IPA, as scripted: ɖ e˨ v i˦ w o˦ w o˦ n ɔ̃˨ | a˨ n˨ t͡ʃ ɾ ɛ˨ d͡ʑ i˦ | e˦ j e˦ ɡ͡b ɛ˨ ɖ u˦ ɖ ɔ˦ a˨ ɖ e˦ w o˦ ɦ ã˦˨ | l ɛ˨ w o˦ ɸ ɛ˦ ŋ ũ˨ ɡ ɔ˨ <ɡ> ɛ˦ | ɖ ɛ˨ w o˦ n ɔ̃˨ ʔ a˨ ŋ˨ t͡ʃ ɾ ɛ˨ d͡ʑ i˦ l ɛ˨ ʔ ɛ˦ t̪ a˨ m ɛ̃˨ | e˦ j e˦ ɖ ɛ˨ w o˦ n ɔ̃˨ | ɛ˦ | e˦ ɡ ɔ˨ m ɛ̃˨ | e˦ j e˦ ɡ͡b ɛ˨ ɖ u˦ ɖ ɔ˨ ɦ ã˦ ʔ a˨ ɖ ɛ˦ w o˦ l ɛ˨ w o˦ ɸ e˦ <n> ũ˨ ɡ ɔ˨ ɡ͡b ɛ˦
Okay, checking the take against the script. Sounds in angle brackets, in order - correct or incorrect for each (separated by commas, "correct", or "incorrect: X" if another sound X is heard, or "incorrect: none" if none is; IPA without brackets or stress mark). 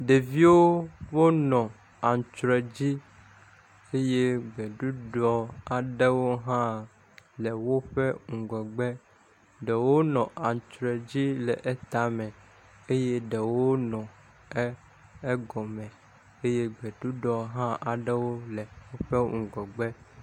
incorrect: ɡ͡b, incorrect: ŋ